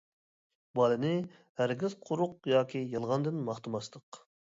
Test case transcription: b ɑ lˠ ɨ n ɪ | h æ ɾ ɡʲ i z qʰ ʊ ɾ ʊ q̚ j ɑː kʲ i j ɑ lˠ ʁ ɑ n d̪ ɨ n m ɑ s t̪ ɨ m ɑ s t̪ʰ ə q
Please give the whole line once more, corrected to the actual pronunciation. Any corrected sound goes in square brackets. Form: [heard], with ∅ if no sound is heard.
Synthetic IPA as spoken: b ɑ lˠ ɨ n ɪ | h æ ɾ ɡʲ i z qʰ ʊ ɾ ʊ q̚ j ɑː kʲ i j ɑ lˠ ʁ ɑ n d̪ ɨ n m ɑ [χ] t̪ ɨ m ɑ s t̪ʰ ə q